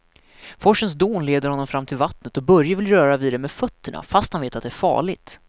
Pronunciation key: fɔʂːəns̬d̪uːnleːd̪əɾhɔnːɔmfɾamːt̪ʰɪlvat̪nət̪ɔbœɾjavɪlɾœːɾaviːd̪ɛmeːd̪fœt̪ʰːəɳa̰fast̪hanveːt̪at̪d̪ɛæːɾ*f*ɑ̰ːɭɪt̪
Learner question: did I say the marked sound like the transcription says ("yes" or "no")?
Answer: yes